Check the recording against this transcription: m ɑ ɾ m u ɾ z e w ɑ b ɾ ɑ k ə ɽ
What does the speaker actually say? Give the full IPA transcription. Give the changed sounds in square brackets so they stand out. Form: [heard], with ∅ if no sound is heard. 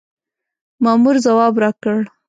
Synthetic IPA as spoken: m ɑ [∅] m u ɾ z [a] w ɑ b ɾ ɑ k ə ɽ